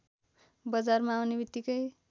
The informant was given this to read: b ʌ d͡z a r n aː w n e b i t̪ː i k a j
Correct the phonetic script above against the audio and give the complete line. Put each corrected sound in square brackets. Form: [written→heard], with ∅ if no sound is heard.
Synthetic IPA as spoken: b ʌ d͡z a r [n→m] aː w n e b i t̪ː i k [a→ʌ] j